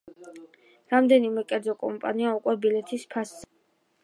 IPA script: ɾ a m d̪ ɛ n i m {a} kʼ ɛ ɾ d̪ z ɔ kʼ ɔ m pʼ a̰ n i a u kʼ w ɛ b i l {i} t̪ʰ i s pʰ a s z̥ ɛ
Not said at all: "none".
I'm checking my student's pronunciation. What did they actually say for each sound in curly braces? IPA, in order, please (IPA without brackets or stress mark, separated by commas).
ɛ, ɛ